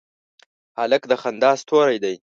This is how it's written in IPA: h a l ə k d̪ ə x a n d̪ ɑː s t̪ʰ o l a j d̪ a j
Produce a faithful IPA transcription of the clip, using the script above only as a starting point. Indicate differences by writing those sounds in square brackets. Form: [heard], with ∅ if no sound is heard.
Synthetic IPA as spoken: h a l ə k d̪ ə x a n d̪ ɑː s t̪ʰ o [ɾ] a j d̪ a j